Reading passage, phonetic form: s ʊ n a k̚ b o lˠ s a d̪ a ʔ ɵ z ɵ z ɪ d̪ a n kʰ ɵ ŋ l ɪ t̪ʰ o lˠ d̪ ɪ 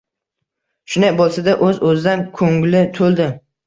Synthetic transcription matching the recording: ʃ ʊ n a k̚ b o lˠ s a d̪ a ʔ ɵ z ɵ z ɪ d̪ a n kʰ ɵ ŋ l ɪ t̪ʰ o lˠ d̪ ɪ